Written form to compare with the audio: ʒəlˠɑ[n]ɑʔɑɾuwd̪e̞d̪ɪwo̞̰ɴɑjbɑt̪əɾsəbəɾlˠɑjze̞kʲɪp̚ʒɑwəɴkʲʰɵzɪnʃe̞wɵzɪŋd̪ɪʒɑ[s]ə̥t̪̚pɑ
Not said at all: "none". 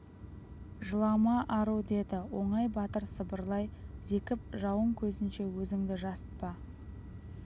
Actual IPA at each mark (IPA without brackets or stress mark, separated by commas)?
m, s